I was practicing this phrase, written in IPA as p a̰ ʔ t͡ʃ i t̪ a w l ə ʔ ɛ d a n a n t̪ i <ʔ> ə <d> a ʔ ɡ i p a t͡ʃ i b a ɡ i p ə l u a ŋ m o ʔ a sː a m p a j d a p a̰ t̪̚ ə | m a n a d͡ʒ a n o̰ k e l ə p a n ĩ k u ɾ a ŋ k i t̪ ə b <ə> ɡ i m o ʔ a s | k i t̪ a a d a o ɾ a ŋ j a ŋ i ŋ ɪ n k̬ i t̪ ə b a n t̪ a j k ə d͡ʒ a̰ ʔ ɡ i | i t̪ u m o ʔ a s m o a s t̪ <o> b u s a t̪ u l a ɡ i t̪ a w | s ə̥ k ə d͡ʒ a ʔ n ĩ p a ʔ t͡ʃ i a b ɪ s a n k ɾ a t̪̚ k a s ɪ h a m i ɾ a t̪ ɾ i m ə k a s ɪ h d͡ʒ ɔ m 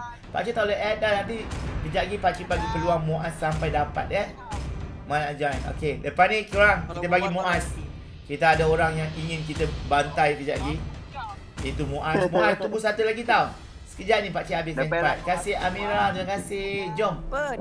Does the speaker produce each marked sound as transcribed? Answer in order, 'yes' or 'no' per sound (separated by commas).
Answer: no, no, no, no